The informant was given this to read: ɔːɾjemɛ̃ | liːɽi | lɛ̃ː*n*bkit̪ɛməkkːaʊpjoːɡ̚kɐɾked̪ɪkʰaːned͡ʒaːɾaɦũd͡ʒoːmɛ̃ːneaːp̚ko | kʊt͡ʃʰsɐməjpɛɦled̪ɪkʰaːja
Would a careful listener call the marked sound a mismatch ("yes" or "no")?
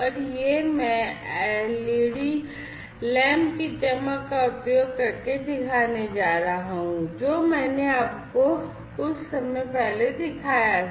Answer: yes